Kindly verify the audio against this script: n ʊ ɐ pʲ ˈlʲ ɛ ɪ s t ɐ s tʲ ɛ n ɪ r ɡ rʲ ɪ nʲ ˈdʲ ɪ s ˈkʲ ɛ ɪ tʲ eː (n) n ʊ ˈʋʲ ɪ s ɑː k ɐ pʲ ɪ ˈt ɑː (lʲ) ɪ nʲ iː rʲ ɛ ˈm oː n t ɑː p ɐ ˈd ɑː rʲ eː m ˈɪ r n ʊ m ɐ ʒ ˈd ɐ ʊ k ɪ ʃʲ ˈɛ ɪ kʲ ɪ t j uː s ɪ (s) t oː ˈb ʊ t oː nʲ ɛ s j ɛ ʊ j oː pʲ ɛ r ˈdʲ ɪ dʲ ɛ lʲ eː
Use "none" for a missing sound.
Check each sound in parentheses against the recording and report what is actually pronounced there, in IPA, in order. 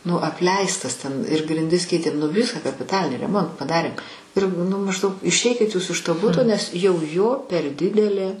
m, lʲ, ʃ

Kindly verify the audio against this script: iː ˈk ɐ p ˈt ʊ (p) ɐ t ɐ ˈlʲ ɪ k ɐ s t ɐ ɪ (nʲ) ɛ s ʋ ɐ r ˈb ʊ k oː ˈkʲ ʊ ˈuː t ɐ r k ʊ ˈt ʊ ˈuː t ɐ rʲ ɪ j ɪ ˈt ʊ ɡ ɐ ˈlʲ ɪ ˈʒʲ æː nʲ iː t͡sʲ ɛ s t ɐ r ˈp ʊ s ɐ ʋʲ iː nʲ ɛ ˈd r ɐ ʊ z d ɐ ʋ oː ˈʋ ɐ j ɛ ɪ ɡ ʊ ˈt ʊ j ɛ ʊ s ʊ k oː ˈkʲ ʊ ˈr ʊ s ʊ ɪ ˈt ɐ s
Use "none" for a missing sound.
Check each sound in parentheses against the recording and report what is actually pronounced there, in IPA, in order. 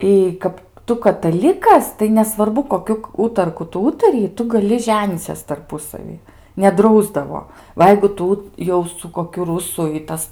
k, nʲ

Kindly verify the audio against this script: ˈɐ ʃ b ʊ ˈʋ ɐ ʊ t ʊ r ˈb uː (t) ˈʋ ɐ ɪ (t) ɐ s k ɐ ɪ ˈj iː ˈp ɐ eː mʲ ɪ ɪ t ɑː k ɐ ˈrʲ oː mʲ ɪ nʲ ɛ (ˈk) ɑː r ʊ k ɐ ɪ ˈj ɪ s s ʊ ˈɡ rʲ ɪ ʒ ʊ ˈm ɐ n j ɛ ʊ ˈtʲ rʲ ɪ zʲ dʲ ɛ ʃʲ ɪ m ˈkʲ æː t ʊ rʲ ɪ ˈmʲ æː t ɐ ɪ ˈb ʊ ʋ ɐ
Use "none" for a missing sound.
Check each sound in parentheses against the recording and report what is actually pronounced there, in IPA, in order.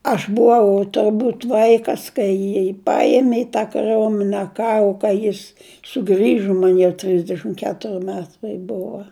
t, k, k

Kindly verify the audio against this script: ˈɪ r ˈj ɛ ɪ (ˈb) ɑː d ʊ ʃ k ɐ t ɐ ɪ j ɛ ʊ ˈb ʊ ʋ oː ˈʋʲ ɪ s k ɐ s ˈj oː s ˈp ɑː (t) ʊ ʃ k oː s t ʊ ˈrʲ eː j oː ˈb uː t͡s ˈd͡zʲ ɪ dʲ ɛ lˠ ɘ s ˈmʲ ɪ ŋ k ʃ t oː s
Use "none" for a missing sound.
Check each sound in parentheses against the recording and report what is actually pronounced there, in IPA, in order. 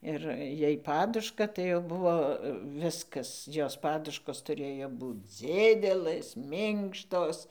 p, d

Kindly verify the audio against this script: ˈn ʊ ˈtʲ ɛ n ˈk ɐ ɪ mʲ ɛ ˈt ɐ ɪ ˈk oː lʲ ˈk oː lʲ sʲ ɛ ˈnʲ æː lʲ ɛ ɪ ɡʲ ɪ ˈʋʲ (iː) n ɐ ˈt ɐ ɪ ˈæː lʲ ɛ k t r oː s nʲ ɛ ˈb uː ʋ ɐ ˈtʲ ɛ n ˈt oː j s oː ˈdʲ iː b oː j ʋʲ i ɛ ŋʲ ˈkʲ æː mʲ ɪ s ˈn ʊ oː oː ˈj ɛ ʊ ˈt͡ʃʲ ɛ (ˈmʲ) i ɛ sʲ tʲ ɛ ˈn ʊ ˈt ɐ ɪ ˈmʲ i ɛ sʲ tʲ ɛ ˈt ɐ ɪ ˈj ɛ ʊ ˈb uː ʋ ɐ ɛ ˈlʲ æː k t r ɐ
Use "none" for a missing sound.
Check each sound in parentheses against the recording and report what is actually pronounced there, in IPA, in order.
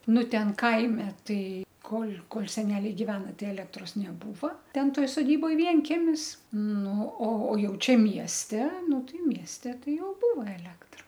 æː, mʲ

